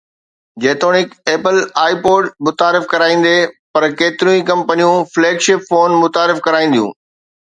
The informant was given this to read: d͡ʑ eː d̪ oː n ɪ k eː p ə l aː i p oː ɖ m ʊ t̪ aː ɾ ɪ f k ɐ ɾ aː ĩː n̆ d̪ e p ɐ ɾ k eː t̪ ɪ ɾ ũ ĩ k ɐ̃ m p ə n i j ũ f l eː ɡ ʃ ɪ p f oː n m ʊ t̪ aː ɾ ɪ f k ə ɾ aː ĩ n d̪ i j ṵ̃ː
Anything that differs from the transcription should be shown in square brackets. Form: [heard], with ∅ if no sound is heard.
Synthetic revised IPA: d͡ʑ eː [t̪] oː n ɪ k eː p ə l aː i p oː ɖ m ʊ t̪ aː ɾ ɪ f k ɐ ɾ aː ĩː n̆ d̪ e p ɐ ɾ k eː t̪ ɪ ɾ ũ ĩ k ɐ̃ m p ə n i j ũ f l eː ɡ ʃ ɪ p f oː n m ʊ t̪ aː ɾ ɪ f k [ɐ] ɾ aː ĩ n d̪ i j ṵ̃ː